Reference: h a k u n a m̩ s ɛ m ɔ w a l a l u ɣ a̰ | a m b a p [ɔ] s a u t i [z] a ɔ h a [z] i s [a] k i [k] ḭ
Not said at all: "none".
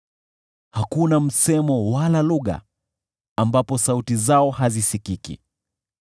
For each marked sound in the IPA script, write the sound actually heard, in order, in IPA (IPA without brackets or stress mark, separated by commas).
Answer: ɔ, z, z, i, k